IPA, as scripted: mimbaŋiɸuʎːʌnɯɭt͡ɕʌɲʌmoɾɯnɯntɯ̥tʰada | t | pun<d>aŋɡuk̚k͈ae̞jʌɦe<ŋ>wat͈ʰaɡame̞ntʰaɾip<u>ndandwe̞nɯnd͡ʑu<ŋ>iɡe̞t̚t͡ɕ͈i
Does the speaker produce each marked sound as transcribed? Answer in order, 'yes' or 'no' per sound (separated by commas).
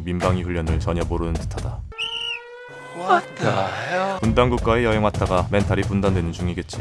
yes, yes, yes, yes